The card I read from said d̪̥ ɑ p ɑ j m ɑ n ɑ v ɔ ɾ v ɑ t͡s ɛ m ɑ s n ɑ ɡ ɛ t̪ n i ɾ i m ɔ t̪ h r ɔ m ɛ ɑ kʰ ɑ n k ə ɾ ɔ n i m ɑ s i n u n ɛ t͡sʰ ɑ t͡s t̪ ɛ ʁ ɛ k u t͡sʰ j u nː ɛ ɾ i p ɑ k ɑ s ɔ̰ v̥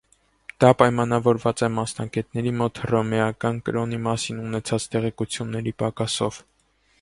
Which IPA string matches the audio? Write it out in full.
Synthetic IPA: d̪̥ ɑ p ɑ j m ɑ n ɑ v ɔ ɾ v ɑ t͡s ɛ m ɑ s n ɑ ɡ ɛ t̪ n ɛ ɾ i m ɔ t̪ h r ɔ m ɛ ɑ k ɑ n k ə ɾ ɔ n i m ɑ s i n u n ɛ t͡sʰ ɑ t͡s t̪ ɛ ʁ ɛ k u t͡sʰ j u nː ɛ ɾ i p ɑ k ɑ s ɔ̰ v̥